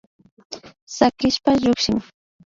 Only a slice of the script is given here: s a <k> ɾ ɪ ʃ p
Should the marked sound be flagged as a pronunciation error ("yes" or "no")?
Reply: no